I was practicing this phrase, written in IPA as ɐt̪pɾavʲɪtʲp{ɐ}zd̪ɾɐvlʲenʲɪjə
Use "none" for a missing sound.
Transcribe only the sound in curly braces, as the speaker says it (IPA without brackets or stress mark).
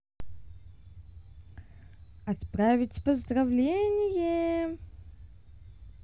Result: ə